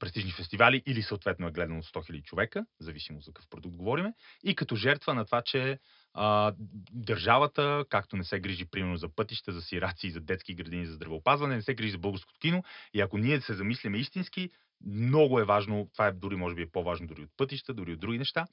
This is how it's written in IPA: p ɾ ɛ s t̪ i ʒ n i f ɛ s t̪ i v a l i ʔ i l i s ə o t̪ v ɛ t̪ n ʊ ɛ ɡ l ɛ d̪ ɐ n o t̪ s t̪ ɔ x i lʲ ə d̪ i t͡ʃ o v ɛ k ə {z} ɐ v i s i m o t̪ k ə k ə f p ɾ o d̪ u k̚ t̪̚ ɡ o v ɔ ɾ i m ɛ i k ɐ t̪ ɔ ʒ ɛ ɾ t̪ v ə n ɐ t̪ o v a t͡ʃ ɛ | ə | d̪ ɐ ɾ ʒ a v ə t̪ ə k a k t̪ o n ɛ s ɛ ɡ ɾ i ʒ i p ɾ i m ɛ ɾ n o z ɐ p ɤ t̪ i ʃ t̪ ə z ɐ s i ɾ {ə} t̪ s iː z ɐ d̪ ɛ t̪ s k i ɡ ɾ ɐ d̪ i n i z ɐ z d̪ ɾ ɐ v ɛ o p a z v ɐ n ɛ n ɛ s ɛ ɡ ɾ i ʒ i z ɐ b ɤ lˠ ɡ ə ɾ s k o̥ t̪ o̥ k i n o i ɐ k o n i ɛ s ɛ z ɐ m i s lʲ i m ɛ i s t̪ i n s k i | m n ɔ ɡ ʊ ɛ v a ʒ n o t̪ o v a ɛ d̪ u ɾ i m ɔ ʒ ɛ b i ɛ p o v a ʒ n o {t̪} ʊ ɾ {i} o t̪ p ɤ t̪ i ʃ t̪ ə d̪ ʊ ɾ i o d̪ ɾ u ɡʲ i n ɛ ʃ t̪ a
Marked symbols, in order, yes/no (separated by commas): yes, no, no, yes